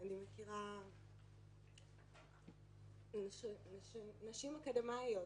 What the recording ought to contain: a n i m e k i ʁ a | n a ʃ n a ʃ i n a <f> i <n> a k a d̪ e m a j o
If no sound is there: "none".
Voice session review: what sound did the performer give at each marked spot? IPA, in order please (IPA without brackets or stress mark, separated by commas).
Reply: ʃ, m